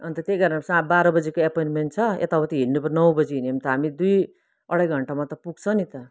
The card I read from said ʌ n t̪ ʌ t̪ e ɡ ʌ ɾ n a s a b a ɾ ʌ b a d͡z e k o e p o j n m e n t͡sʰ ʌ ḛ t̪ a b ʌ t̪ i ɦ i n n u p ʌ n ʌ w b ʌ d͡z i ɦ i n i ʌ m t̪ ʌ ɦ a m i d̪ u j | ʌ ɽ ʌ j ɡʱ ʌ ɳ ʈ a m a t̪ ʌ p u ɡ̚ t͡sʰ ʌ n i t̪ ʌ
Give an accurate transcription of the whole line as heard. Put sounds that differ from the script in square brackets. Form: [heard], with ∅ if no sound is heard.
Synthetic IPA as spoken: ʌ n t̪ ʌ t̪ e ɡ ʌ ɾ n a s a b a ɾ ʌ b [ʌ] d͡z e k o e p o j n m e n t͡sʰ ʌ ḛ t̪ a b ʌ t̪ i ɦ i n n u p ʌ n ʌ w b ʌ d͡z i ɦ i n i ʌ m t̪ ʌ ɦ a m i d̪ u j | ʌ ɽ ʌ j ɡʱ ʌ ɳ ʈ a m a t̪ ʌ p u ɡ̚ t͡sʰ ʌ n i t̪ ʌ